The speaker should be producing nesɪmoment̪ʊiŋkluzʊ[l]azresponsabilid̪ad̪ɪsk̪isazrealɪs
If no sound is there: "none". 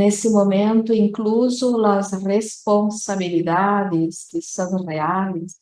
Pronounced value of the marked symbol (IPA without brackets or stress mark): l